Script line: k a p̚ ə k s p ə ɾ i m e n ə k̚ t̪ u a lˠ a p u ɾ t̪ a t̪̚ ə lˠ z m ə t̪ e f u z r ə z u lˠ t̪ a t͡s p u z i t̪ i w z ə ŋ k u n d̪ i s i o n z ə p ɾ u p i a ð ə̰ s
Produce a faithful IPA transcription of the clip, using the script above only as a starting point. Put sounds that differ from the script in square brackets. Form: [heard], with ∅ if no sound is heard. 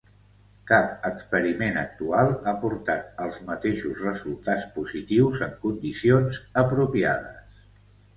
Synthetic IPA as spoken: k a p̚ ə k s p ə ɾ i m e n ə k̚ t̪ u a lˠ a p u ɾ t̪ a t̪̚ ə lˠ z m ə t̪ e [ʃ] u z r ə z u lˠ t̪ a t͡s p u z i t̪ i w z ə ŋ k u n d̪ i s i o n z ə p ɾ u p i a ð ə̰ s